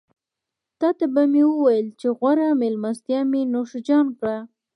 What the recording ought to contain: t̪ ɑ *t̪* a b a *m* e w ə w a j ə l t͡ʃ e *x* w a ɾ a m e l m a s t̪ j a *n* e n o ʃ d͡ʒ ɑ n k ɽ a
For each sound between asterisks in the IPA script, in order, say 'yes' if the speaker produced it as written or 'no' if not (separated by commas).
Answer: yes, yes, no, no